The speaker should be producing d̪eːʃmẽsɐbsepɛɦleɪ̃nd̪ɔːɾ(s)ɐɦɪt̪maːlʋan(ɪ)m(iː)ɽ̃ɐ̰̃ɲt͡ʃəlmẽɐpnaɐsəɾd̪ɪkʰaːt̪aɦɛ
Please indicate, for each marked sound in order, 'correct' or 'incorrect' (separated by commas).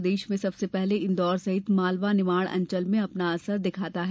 correct, correct, incorrect